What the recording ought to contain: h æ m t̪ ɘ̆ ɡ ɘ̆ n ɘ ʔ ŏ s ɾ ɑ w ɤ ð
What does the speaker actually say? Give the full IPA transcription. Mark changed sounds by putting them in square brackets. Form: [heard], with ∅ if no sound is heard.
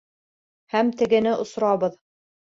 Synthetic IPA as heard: h æ m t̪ ɘ̆ ɡ ɘ̆ n ɘ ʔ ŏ s ɾ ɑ [β] ɤ ð